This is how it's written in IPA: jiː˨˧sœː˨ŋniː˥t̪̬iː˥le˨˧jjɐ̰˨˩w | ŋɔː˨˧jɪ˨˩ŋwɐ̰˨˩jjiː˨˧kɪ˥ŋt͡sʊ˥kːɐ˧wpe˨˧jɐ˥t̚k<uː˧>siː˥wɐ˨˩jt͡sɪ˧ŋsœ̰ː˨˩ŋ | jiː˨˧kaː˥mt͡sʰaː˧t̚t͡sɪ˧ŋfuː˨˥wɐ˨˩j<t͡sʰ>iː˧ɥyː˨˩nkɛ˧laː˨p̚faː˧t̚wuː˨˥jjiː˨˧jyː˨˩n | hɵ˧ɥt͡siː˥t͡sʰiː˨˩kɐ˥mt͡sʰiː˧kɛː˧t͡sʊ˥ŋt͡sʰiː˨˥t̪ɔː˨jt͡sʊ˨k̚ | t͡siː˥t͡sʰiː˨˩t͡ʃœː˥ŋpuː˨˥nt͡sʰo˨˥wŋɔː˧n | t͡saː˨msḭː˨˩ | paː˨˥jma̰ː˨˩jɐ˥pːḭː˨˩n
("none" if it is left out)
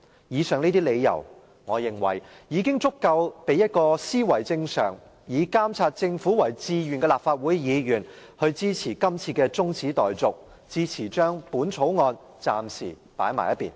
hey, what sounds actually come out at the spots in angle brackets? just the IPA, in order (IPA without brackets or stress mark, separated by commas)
ɔː˧, t͡s